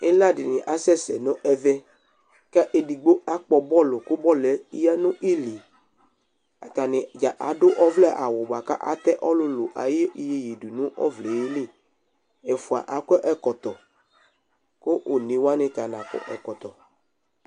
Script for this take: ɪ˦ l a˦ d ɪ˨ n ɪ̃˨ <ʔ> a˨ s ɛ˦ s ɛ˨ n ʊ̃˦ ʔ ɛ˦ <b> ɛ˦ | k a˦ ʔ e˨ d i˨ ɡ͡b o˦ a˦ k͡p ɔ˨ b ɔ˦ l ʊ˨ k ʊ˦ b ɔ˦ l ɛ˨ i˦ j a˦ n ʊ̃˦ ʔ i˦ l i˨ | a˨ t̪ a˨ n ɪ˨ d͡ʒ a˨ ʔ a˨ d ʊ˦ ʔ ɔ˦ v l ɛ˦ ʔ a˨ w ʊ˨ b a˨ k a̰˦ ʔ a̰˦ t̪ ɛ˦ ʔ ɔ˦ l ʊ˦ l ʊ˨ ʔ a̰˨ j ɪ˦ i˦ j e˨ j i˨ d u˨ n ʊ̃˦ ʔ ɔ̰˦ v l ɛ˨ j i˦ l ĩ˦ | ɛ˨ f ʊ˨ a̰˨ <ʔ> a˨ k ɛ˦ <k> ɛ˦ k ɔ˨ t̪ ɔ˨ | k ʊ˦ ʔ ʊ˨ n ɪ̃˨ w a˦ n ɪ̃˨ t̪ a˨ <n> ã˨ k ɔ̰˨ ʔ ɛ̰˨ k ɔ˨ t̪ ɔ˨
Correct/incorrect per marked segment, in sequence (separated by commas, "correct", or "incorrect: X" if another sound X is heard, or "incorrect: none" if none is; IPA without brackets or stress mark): correct, incorrect: v, correct, incorrect: ʔ, correct